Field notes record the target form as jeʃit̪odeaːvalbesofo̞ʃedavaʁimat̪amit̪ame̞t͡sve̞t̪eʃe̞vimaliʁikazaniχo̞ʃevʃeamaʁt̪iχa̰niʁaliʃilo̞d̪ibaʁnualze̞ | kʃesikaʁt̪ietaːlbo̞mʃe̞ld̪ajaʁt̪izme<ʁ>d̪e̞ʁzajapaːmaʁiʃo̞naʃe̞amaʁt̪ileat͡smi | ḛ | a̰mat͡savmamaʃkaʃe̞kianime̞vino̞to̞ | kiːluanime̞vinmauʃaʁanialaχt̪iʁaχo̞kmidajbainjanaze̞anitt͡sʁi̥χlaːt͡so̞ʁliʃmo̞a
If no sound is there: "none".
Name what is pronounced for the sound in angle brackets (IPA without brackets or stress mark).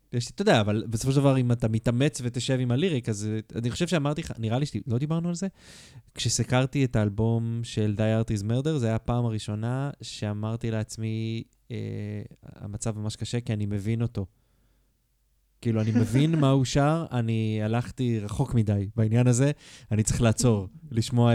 ʁ